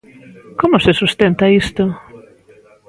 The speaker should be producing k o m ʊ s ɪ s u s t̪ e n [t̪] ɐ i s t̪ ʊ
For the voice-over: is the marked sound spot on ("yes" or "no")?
yes